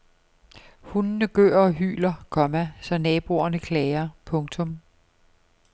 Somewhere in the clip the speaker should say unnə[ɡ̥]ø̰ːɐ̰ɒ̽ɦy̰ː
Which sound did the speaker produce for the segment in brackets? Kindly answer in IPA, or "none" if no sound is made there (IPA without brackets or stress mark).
ɡ̥